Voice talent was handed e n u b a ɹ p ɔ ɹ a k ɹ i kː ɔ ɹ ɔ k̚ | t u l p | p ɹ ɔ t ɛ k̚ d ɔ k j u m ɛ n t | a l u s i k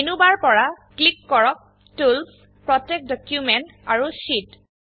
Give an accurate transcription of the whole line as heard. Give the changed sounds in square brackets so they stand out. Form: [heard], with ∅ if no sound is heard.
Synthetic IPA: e n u b a ɹ p ɔ ɹ a k [l] i kː ɔ ɹ ɔ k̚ | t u l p | p ɹ ɔ t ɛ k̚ d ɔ k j u m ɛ n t | a [ɹ] u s i [t]